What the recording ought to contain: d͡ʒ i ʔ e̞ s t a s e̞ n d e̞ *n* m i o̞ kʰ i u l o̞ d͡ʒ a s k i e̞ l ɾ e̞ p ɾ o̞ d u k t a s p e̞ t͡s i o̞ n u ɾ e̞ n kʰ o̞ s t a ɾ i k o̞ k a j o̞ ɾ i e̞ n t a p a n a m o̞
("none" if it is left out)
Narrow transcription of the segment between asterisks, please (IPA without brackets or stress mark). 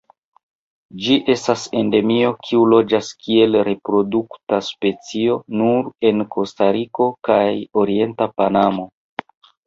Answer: none